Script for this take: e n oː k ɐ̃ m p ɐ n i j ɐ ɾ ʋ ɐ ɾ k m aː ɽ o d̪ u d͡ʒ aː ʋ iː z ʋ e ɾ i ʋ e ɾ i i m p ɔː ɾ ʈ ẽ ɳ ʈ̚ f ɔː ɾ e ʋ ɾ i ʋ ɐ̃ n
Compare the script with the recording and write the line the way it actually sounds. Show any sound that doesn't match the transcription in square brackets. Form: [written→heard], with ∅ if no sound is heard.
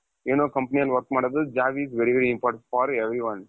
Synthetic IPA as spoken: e n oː k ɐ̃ m p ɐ n i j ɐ [ɾ→l] ʋ ɐ ɾ k m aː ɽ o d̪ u d͡ʒ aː ʋ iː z ʋ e ɾ i ʋ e ɾ i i m p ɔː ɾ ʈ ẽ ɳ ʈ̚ f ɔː ɾ e ʋ ɾ i ʋ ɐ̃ n